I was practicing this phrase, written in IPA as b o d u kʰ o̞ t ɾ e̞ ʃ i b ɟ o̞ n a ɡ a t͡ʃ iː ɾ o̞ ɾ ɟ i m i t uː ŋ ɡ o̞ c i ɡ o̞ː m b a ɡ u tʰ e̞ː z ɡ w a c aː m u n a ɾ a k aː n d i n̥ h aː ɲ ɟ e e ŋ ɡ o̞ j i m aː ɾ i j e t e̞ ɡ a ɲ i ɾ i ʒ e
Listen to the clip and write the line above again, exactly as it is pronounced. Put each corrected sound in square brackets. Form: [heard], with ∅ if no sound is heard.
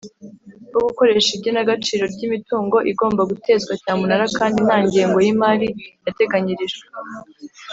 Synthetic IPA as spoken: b o [ɡ] u [k] o̞ [∅] ɾ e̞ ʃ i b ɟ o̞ n a ɡ a t͡ʃ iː ɾ o̞ ɾ ɟ i m i t uː ŋ ɡ o̞ [ʔ] i ɡ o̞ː m b a ɡ u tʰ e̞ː z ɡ w a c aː m u n a ɾ a k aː n d i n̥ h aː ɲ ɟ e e ŋ ɡ o̞ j i m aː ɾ i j [a] t e̞ ɡ a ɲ i ɾ i ʒ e